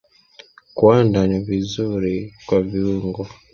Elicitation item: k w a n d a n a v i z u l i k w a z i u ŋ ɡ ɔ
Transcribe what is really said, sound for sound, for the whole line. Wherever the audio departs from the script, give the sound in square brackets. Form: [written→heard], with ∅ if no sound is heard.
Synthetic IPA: k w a n d a n [a→i] v i z u [l→ɾ] i k w a [z→v] i u ŋ ɡ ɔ

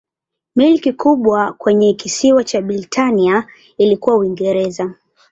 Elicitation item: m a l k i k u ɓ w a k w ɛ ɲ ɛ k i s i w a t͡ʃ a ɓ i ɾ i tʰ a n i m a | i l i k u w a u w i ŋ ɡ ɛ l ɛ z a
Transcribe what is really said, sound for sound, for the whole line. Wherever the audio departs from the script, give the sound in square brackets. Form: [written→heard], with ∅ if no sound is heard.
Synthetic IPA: m [a→i] l k i k u ɓ w a k w ɛ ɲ ɛ k i s i w a t͡ʃ a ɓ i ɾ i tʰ a n i [m→∅] a | i l i k u w a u w i ŋ ɡ ɛ [l→ɾ] ɛ z a

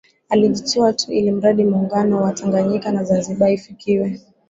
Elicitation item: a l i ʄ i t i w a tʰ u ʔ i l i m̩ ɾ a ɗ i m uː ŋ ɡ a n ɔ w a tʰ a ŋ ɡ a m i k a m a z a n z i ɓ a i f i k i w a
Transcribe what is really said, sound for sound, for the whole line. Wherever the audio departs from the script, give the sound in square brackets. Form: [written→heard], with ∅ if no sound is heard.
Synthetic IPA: a l i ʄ i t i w a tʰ u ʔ i l i m̩ ɾ a ɗ i m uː ŋ ɡ a n ɔ w a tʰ a ŋ ɡ a [m→ɲ] i k a [m→n] a z a n z i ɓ a i f i k i w [a→ɛ]

